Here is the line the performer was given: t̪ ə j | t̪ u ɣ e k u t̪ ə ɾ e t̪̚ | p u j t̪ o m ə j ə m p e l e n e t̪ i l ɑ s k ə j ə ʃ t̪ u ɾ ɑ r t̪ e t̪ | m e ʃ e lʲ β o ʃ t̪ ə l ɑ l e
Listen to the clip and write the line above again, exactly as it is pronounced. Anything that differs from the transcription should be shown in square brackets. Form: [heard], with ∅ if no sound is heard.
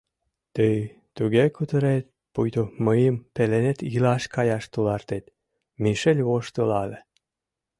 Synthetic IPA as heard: t̪ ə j | t̪ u ɣ e k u t̪ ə ɾ e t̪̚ | p u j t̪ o m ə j ə m p e l e n e t̪ i l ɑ [ʃ] k [ɑ] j [ɑ] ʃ t̪ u [l] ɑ r t̪ e t̪ | m [i] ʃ e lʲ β o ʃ t̪ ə l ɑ l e

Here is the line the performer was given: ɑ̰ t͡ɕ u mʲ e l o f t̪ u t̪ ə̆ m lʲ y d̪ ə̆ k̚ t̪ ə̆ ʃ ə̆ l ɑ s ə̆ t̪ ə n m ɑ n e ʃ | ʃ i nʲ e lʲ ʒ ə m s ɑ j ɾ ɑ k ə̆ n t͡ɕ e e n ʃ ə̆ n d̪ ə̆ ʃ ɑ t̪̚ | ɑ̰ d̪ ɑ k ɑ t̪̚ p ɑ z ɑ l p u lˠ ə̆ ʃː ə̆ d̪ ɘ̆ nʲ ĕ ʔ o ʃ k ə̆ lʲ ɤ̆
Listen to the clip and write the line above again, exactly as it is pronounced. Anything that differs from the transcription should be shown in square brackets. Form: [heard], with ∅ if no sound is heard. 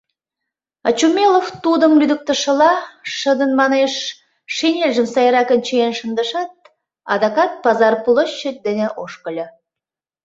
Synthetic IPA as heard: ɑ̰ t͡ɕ u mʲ e l o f t̪ u [d̪] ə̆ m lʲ y d̪ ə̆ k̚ t̪ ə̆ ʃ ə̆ l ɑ [ʃ] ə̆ [d̪] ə n m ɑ n e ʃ | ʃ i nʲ e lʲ ʒ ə m s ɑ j ɾ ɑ k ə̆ n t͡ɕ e e n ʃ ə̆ n d̪ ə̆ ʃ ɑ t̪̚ | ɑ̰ d̪ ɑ k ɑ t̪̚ p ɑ z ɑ [r] p u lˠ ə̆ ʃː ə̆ d̪ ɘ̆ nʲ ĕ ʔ o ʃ k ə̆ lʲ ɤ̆

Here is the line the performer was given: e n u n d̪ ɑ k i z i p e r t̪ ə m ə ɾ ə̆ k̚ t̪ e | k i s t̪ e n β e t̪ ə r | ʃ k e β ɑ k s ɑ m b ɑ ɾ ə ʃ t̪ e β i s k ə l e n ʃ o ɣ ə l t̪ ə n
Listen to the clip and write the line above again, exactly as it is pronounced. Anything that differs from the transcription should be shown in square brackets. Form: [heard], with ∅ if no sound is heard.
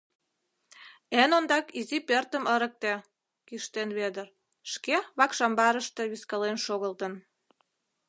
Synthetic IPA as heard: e n [o] n d̪ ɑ k i z i p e r t̪ ə m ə ɾ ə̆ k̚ t̪ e | k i [ʃ] t̪ e n β e [d̪] ə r | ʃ k e β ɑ k [ʃ] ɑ m b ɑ ɾ ə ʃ t̪ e β i s k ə l e n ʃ o ɣ ə l t̪ ə n

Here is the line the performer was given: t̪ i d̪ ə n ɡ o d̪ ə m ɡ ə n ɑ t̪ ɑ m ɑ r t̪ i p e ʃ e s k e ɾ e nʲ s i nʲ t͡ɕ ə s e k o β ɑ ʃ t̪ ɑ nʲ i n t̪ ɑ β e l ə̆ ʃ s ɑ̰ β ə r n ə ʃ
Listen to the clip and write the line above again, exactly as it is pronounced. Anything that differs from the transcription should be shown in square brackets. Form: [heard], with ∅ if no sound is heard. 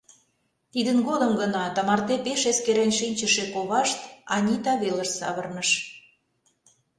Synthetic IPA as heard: t̪ i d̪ ə n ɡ o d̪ ə m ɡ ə n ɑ t̪ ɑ m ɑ r t̪ [e] p e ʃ e s k e ɾ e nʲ [ʃ] i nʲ t͡ɕ ə [ʃ] e k o β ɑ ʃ t̪ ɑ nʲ i [∅] t̪ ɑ β e l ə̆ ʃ s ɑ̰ β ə r n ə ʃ

